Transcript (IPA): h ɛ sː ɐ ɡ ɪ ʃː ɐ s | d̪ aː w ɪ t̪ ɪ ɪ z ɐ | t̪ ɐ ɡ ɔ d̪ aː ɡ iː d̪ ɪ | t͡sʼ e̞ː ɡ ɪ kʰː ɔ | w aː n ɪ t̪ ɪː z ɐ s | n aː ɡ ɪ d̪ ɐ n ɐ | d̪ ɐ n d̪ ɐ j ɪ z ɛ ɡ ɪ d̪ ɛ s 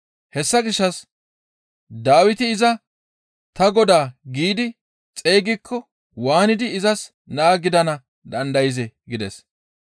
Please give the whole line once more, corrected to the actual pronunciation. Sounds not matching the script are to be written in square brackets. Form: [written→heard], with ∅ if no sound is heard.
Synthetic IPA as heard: h ɛ sː ɐ ɡ ɪ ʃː ɐ s | d̪ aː w ɪ t̪ ɪ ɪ z ɐ | t̪ ɐ ɡ ɔ d̪ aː ɡ iː d̪ ɪ | t͡sʼ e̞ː ɡ ɪ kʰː ɔ | w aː n ɪ [t̪→d̪] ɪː z ɐ s | n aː ɡ ɪ d̪ ɐ n ɐ | d̪ ɐ n d̪ ɐ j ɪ z ɛ ɡ ɪ d̪ ɛ s